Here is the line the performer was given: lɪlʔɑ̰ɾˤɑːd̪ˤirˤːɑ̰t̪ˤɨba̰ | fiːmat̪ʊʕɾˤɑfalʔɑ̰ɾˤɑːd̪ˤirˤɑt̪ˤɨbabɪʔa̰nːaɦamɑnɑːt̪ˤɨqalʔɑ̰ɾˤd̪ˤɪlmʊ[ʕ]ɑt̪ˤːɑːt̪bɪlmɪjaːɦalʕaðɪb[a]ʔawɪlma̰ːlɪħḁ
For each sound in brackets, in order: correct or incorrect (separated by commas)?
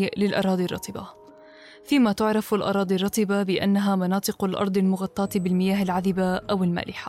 incorrect, correct